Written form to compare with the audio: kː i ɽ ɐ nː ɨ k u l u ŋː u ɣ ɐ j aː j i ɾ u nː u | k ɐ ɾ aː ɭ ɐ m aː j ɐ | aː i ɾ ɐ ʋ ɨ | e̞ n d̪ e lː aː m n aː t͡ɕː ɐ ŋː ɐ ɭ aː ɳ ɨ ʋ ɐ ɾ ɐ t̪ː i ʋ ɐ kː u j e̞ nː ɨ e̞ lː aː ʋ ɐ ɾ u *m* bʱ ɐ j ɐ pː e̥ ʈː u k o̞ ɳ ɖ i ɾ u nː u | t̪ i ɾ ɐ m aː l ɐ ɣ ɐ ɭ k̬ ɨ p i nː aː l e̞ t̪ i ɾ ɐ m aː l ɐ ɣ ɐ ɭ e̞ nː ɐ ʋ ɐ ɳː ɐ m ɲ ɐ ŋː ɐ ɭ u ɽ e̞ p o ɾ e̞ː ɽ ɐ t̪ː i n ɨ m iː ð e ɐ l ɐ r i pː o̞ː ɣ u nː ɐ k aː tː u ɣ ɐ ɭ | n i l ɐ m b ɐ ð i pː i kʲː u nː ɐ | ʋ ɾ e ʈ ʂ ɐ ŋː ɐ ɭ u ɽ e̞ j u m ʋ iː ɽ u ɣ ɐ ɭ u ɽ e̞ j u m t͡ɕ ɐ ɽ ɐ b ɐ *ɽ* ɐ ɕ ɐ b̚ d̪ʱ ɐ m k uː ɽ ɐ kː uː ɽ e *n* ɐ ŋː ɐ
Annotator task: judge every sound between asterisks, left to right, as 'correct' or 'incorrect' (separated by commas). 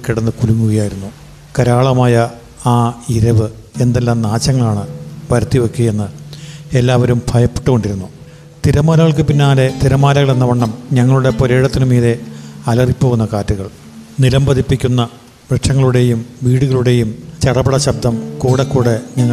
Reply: correct, correct, incorrect